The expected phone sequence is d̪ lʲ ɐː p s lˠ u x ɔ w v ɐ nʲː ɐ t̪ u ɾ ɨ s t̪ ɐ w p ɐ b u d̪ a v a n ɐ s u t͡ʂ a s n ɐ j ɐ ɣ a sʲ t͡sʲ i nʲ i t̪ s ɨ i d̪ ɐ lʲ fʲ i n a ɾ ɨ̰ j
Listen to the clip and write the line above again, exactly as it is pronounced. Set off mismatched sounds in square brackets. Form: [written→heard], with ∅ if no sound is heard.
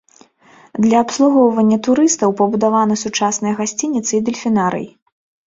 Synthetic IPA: d̪ lʲ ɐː p s lˠ u [x→ɣ] ɔ w v ɐ nʲː ɐ t̪ u ɾ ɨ s t̪ ɐ w p ɐ b u d̪ a v a n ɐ s u t͡ʂ a s n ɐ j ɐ ɣ a sʲ t͡sʲ i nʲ i t̪ s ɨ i d̪ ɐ lʲ fʲ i n a ɾ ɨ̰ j